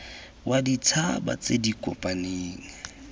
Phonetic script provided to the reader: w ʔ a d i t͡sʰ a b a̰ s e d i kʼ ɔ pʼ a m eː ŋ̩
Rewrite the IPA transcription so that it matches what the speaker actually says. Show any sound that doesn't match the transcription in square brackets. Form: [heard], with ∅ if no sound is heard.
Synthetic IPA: w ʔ a d i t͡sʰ a b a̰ [t͡s] e d i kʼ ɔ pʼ a [n] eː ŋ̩